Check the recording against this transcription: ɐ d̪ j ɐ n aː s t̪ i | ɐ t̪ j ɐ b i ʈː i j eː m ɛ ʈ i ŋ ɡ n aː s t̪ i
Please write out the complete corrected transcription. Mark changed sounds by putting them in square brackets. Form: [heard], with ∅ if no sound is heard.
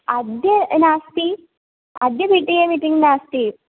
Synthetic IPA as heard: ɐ d̪ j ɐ n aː s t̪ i | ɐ [d̪] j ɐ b i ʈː i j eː m [i] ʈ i ŋ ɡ n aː s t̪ i